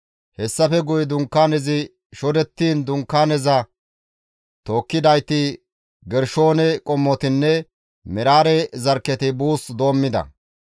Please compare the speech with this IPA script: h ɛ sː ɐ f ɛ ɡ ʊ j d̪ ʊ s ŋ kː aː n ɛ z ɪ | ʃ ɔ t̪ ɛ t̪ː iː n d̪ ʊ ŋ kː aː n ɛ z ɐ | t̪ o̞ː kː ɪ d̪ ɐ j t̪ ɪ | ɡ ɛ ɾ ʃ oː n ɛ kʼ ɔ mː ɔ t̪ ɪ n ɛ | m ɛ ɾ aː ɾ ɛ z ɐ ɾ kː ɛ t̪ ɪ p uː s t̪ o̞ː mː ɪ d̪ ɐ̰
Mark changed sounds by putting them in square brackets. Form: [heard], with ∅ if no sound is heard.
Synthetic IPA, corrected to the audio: h ɛ sː ɐ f ɛ ɡ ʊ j d̪ ʊ [∅] ŋ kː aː n ɛ z ɪ | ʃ ɔ [d̪] ɛ t̪ː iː n d̪ ʊ ŋ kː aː n ɛ z ɐ | t̪ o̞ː kː ɪ d̪ ɐ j t̪ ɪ | ɡ ɛ ɾ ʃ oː n ɛ kʼ ɔ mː ɔ t̪ ɪ [nː] ɛ | m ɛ ɾ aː ɾ ɛ z ɐ ɾ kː ɛ t̪ ɪ [b] uː s [d̪] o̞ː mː ɪ d̪ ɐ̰